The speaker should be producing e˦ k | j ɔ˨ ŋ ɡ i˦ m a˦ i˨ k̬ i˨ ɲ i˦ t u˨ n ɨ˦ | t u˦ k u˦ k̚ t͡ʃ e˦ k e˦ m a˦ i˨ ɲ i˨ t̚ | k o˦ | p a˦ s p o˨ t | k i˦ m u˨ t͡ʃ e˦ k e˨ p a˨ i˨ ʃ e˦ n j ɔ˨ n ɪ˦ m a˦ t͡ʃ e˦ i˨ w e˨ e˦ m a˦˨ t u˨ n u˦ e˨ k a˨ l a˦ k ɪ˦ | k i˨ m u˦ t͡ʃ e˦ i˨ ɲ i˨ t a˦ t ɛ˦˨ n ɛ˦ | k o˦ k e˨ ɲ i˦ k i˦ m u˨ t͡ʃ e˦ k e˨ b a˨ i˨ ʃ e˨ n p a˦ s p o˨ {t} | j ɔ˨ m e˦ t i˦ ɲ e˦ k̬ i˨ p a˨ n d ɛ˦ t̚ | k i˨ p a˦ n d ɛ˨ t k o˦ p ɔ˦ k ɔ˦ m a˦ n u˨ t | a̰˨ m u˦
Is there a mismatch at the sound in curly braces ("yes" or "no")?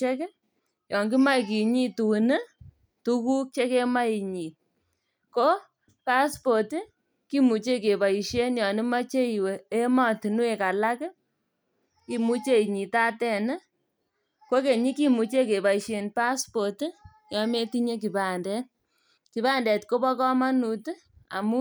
no